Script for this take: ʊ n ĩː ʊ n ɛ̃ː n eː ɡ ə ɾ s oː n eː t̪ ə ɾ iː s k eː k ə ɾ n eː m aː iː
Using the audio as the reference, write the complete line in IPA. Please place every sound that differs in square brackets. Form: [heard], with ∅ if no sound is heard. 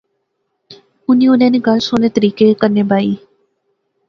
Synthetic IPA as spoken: ʊ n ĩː ʊ n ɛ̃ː n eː ɡ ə [l] s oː n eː t̪ ə ɾ iː [∅] k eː k ə ɾ n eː [b] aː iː